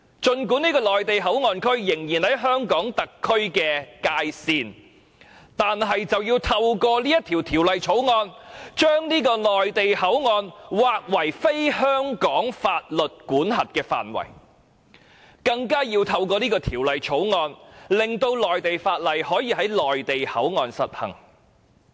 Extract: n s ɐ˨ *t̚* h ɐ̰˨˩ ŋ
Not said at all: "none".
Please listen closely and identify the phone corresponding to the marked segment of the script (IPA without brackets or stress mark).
t̚